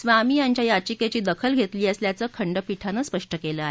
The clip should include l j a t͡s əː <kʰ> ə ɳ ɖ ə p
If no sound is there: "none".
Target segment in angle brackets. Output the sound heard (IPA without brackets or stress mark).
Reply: kʰ